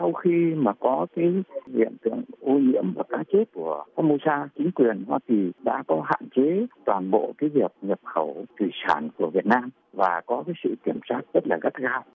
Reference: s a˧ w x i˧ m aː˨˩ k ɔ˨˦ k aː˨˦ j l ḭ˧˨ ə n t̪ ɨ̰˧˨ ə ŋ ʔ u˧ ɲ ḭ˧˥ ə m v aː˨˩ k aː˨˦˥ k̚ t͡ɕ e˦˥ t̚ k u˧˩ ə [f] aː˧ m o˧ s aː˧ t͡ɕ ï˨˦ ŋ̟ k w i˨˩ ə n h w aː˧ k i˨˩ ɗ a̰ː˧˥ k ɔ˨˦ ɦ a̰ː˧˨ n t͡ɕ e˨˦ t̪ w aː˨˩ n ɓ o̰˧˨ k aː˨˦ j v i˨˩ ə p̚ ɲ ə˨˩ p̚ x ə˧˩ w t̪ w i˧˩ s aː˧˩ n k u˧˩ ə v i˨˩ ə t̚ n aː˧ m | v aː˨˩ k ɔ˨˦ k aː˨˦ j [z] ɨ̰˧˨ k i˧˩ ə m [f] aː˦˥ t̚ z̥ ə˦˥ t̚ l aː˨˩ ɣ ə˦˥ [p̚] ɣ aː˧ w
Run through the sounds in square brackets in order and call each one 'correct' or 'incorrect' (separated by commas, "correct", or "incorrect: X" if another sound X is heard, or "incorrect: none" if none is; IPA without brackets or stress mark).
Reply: correct, incorrect: s, incorrect: s, incorrect: t̚